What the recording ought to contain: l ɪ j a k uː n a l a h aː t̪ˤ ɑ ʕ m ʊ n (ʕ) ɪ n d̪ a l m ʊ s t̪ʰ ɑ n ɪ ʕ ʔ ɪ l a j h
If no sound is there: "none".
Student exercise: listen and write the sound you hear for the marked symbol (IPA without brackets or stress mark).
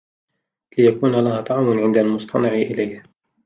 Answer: ʕ